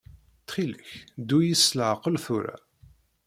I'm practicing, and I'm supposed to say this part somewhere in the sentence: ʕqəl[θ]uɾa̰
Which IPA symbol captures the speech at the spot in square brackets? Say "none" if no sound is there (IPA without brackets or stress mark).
θ